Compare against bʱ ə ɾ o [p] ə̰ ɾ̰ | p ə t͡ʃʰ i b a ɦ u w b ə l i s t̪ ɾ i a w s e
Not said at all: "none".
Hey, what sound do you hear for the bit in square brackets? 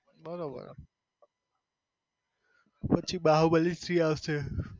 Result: b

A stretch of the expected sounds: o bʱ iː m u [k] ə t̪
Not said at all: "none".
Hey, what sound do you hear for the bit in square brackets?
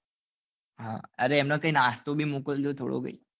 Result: k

